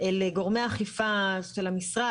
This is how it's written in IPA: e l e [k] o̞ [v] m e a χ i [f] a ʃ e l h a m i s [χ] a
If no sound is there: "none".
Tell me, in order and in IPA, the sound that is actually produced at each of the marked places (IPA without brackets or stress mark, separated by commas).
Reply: ɡ, ʁ, f, ʁ